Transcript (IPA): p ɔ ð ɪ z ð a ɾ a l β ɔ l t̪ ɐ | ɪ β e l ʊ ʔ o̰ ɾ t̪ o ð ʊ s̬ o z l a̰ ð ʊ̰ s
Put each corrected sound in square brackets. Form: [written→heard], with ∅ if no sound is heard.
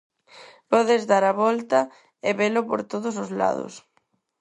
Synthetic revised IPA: p ɔ ð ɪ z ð a ɾ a [l→∅] β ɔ l t̪ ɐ | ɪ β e l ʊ [ʔ→p] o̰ ɾ t̪ o ð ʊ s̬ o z l a̰ ð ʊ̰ s